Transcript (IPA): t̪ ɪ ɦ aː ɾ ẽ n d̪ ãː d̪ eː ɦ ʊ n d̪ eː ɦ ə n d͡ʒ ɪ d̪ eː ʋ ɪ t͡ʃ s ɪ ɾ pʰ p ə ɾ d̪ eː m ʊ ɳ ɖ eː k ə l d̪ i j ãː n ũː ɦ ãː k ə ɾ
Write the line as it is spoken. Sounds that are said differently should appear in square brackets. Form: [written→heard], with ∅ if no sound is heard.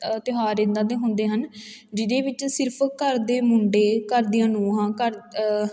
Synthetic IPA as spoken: t̪ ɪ ɦ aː ɾ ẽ n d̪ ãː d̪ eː ɦ ʊ n d̪ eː ɦ ə n d͡ʒ ɪ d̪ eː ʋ ɪ t͡ʃ s ɪ ɾ pʰ [p→k] ə ɾ d̪ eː m ʊ ɳ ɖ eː k ə [l→ɾ] d̪ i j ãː n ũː ɦ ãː k ə ɾ